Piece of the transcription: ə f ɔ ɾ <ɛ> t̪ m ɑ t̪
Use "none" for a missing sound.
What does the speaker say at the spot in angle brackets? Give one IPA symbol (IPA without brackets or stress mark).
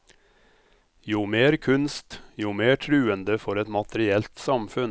ɛ